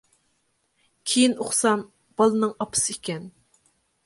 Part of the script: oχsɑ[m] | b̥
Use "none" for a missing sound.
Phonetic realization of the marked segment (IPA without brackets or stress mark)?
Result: m